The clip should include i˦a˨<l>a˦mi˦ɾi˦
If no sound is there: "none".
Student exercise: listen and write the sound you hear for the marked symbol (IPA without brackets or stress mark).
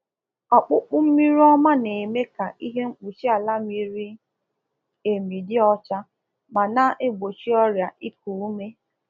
l